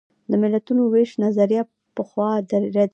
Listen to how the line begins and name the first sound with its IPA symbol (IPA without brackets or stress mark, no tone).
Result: d̪